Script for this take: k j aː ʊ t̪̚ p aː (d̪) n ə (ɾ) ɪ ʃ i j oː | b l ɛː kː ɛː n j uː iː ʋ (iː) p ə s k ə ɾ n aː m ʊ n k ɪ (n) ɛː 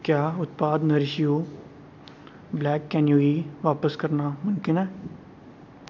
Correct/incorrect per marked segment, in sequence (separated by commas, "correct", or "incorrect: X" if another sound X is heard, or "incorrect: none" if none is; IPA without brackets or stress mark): correct, correct, incorrect: aː, correct